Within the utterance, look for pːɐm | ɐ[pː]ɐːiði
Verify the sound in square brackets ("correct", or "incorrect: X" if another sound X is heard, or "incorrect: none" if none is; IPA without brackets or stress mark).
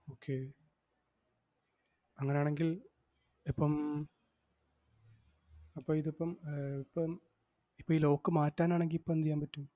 correct